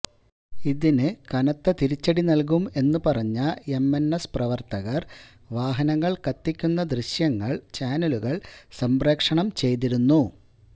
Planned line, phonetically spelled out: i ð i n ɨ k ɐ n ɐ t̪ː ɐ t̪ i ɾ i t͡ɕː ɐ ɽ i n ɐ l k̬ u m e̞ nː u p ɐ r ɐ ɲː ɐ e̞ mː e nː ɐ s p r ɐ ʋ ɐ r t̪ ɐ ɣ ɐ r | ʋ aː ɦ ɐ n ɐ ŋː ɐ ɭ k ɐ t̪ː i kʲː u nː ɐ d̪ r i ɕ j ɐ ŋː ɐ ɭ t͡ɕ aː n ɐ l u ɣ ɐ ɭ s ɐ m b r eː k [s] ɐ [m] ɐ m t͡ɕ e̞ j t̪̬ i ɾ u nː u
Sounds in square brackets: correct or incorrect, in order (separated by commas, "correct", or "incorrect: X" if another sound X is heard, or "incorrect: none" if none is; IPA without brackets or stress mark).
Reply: incorrect: ʂ, incorrect: ɳ